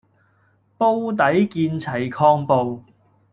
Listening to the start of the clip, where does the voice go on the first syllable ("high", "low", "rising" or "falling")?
high